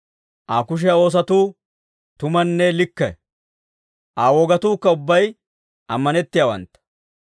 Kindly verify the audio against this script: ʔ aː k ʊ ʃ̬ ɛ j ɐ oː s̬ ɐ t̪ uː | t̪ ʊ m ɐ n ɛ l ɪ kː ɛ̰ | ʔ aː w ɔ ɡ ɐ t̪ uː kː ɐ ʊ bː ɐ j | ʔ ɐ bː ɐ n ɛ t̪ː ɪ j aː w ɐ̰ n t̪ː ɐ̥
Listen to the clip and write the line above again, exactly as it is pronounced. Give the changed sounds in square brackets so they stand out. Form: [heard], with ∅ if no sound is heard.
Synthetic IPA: ʔ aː k ʊ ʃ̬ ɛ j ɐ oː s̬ ɐ t̪ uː | t̪ ʊ m ɐ [nː] ɛ l ɪ kː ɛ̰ | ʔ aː w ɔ ɡ ɐ t̪ uː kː ɐ ʊ bː ɐ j | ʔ ɐ [mː] ɐ n ɛ t̪ː ɪ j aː w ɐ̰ n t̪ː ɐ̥